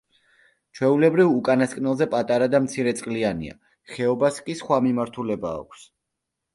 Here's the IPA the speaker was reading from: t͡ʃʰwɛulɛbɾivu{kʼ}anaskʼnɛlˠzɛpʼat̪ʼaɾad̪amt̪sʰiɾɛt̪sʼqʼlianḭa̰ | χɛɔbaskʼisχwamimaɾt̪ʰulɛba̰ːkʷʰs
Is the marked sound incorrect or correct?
correct